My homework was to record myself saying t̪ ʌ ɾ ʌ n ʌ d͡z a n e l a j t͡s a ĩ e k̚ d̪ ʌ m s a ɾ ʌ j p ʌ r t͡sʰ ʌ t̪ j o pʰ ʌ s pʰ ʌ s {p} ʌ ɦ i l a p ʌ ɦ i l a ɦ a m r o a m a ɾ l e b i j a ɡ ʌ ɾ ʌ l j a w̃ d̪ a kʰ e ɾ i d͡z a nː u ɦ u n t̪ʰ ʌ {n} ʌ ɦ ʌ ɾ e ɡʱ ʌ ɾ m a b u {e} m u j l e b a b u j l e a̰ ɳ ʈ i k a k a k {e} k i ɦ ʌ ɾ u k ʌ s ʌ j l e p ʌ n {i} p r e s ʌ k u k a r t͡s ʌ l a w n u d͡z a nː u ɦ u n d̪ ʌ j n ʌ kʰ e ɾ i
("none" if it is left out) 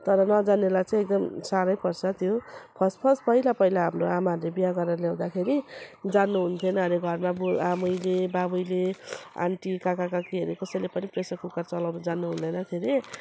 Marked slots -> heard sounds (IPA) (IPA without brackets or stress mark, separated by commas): p, n, a, a, i